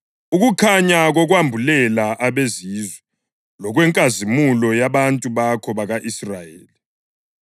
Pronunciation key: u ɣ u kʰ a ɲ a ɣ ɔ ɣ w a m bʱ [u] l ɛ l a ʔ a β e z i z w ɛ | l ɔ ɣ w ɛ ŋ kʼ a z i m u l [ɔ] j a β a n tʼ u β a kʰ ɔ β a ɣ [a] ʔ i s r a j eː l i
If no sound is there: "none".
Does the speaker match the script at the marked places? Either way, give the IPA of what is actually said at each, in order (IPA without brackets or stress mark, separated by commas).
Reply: u, ɔ, a